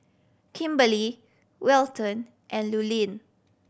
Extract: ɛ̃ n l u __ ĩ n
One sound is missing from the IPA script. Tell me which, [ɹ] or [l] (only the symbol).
l